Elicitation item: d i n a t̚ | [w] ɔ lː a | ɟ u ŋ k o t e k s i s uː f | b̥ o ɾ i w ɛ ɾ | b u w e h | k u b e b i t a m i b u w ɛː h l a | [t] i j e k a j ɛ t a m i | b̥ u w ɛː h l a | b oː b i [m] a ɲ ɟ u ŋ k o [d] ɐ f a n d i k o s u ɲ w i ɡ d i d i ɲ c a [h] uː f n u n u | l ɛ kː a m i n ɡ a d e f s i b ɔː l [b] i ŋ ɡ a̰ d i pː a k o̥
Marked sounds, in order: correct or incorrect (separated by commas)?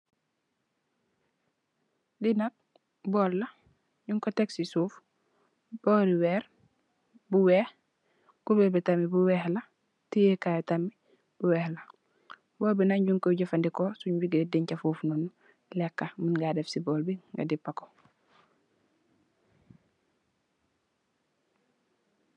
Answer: incorrect, correct, incorrect, incorrect, incorrect, correct